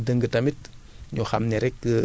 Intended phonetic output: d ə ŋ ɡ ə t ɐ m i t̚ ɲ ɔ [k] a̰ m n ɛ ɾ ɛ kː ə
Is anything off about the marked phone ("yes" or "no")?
yes